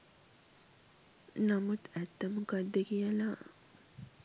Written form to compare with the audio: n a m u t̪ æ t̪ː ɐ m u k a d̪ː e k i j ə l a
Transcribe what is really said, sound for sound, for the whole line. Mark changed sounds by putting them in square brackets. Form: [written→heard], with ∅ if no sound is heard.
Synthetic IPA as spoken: n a m u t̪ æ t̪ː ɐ m u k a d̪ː e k i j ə l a